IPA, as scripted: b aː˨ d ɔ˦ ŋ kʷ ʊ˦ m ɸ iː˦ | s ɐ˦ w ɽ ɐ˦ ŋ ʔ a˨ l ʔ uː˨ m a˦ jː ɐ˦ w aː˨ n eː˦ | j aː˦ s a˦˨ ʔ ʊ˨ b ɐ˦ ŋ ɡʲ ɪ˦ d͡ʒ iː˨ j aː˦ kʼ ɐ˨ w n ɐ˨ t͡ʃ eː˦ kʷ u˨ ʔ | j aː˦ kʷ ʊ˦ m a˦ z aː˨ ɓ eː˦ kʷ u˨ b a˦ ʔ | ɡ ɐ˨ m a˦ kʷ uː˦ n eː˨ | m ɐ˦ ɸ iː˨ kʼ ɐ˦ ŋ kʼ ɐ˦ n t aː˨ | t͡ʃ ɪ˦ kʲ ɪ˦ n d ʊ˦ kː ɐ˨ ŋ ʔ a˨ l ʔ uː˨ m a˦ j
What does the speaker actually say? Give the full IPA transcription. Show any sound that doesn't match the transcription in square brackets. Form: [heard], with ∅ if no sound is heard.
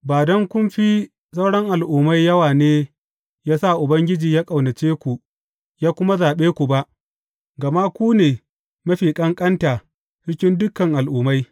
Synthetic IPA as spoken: b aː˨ d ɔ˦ ŋ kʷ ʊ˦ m ɸ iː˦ | s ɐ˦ w ɽ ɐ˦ ŋ ʔ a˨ l ʔ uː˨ m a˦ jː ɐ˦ w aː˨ n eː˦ | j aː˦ s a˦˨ ʔ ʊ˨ b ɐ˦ ŋ ɡʲ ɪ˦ d͡ʒ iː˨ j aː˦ kʼ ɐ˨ w n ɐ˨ t͡ʃ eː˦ kʷ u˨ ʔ | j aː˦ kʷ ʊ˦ m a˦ z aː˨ ɓ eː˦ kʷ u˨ b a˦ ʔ | ɡ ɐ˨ m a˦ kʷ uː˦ n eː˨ | m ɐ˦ ɸ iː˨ kʼ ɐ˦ ŋ kʼ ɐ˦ n t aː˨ | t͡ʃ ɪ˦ kʲ ɪ˦ n d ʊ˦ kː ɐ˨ ŋ ʔ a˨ l ʔ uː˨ m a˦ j